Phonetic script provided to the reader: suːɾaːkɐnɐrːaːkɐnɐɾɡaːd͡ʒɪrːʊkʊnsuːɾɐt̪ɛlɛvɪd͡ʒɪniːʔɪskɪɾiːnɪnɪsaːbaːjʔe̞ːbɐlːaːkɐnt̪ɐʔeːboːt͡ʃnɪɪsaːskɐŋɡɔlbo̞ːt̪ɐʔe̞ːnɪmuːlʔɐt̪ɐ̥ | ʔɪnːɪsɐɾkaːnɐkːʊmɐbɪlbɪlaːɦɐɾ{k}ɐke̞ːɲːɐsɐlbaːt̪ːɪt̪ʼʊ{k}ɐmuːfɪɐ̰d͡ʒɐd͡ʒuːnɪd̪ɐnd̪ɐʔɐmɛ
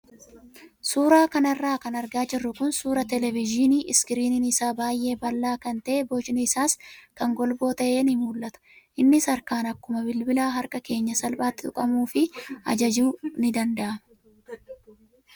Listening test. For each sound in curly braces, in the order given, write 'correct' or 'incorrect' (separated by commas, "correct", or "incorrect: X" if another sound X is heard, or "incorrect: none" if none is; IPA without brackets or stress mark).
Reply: incorrect: kʼ, incorrect: kʼ